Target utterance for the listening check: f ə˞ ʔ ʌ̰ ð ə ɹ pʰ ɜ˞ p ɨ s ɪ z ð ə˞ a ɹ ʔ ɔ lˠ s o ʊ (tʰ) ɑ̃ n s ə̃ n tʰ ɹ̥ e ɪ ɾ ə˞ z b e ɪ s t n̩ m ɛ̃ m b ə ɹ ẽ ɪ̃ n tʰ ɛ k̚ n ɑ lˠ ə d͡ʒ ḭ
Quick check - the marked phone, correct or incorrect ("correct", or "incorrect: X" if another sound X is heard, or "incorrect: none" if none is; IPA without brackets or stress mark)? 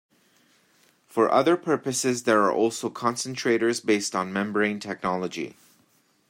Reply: incorrect: kʰ